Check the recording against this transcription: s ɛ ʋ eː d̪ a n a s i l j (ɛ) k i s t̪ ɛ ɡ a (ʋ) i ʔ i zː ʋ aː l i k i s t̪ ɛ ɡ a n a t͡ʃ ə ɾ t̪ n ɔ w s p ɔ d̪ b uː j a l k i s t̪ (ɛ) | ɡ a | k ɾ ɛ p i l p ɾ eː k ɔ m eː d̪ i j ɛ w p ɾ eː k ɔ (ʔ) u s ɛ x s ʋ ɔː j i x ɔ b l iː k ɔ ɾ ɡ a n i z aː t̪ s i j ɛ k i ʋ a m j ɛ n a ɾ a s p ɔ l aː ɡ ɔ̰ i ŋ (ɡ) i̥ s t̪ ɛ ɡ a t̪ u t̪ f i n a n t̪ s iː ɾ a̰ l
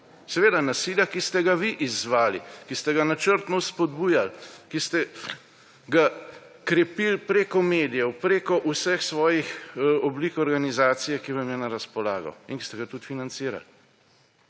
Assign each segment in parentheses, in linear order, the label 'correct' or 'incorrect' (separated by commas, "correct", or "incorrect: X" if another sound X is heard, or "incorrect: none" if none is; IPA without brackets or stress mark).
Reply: incorrect: a, correct, correct, correct, incorrect: k